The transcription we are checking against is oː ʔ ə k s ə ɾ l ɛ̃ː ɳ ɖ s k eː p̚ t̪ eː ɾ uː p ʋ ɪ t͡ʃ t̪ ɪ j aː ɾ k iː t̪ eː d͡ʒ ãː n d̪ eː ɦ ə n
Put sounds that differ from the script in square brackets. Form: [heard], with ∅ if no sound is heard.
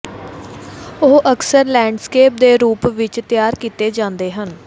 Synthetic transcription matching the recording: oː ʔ ə k s ə ɾ l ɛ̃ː ɳ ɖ s k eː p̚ [d̪] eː ɾ uː p ʋ ɪ t͡ʃ t̪ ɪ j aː ɾ k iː t̪ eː d͡ʒ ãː n d̪ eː ɦ ə n